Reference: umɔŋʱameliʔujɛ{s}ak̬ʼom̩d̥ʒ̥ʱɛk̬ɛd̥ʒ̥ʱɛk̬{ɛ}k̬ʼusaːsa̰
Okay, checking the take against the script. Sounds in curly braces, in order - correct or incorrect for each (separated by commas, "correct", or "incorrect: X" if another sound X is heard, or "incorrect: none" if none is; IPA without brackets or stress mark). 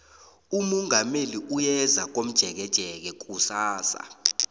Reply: incorrect: z, correct